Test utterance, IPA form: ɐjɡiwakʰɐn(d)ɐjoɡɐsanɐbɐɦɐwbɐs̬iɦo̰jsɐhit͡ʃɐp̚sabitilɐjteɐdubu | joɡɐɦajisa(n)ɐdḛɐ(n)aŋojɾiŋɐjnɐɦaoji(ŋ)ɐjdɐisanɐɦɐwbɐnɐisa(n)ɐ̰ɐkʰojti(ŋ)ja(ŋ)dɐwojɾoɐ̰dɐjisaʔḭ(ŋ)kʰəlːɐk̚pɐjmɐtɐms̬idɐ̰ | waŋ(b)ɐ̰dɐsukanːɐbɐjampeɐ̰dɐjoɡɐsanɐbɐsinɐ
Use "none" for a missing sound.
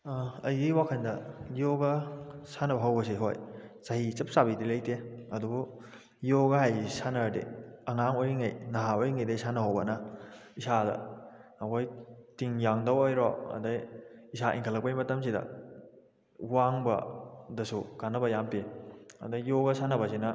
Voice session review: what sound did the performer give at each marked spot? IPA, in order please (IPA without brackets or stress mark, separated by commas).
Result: d, n, ŋ, ŋ, d, ŋ, ŋ, ŋ, b